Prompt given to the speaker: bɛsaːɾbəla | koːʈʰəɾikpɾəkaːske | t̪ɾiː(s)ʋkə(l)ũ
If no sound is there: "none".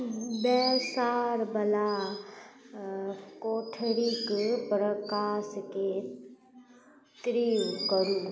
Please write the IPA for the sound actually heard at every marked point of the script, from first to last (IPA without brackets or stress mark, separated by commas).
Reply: none, ɾ